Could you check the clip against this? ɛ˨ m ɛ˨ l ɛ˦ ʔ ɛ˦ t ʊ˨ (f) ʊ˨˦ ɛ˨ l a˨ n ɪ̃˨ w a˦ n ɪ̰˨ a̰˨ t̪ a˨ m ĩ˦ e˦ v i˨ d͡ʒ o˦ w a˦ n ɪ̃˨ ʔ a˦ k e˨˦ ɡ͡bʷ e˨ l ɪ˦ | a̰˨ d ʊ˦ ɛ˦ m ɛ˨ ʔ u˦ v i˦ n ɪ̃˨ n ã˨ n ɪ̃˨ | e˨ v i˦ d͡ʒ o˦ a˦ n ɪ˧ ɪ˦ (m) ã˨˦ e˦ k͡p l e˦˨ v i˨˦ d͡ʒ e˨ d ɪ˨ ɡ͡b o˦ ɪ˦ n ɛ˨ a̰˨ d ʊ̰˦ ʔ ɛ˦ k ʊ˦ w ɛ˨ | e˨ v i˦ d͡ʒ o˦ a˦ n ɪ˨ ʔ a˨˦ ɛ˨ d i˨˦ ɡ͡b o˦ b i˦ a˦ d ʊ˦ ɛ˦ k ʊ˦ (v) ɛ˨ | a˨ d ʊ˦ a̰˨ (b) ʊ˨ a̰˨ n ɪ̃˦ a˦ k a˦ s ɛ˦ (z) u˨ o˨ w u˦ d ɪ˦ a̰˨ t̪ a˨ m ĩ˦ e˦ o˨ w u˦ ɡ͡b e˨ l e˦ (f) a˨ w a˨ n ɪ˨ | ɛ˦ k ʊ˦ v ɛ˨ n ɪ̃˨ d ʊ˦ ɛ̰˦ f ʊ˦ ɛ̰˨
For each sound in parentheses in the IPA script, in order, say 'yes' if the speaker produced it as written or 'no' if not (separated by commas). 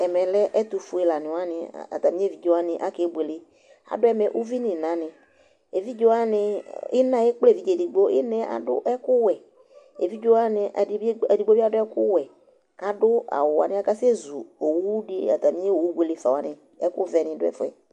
yes, no, no, no, yes, yes